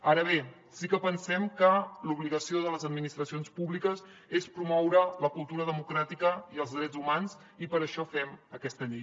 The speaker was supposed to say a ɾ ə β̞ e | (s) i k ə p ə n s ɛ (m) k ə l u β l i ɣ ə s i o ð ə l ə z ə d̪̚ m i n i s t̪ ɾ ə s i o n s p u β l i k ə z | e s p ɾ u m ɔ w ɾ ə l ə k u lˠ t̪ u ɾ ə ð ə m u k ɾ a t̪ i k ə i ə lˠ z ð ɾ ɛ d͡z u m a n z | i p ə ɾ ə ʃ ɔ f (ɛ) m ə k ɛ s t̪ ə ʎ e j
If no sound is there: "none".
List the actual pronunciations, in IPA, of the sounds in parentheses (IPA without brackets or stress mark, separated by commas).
s, m, ɛ